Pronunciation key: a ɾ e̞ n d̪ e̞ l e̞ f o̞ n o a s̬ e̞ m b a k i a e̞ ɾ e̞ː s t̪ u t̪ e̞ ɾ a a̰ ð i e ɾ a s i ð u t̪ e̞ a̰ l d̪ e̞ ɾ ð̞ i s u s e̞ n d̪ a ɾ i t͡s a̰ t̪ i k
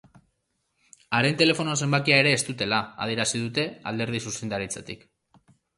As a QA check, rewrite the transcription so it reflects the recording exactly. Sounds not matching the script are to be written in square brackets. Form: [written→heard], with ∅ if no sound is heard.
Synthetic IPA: a ɾ e̞ n [d̪→t̪] e̞ l e̞ f o̞ n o a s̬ e̞ m b a k i a e̞ ɾ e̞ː s t̪ u t̪ e̞ [ɾ→l] a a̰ ð i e ɾ a s i ð u t̪ e̞ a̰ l d̪ e̞ ɾ ð̞ i s u s e̞ n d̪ a ɾ i t͡s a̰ t̪ i k